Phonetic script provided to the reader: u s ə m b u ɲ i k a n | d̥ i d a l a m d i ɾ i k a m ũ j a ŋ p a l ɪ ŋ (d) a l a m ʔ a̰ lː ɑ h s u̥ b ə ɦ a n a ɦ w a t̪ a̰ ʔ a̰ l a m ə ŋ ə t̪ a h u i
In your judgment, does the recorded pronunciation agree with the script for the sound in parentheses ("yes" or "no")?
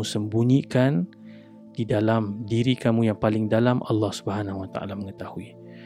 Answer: yes